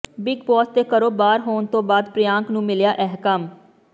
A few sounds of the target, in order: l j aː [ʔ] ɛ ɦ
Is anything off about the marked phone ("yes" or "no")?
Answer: no